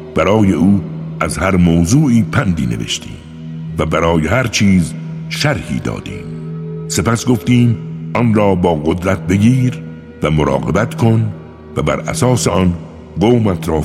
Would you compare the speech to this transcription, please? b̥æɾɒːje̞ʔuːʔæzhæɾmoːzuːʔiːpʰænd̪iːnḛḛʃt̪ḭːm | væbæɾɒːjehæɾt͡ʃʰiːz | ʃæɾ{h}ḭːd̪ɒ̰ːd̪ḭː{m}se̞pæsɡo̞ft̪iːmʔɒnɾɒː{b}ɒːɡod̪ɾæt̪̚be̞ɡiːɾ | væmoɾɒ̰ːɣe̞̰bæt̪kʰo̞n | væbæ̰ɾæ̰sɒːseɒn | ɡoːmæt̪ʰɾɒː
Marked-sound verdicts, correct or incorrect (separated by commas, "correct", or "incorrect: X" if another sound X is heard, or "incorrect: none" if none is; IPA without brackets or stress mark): correct, correct, correct